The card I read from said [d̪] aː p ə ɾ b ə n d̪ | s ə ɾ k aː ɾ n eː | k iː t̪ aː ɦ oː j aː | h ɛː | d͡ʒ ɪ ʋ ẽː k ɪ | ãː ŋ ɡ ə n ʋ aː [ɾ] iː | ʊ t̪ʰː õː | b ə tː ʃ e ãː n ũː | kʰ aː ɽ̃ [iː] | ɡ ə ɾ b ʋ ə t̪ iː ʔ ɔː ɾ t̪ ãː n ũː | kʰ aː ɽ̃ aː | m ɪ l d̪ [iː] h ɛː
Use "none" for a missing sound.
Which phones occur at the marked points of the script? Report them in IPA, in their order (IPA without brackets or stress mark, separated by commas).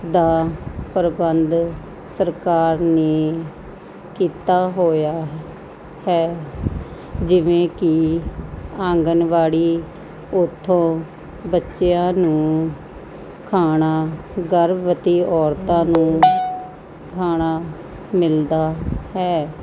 d̪, ɽ, aː, aː